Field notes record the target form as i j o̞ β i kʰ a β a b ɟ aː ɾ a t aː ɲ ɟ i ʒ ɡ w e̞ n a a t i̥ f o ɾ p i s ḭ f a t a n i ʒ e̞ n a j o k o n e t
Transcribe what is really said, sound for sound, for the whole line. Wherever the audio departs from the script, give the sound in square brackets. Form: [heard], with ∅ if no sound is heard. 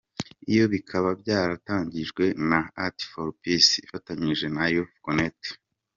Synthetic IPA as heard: i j o̞ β i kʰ a β a b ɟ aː ɾ a t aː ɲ ɟ i ʒ ɡ w e̞ n a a t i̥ f o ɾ p i s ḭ f a t a [ɲ] i ʒ e̞ n a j o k o n e t